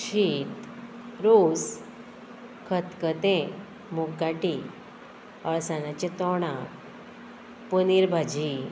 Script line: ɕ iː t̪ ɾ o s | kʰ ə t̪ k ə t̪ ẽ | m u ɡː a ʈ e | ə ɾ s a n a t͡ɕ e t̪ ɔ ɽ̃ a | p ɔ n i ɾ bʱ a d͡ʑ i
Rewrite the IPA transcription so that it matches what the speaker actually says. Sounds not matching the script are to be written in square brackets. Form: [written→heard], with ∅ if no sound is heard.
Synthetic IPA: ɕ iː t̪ ɾ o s | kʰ ə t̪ k ə t̪ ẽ | m u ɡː a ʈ [e→i] | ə [ɾ→ɭ] s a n a t͡ɕ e t̪ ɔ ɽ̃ a | p [ɔ→u] n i ɾ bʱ a d͡ʑ i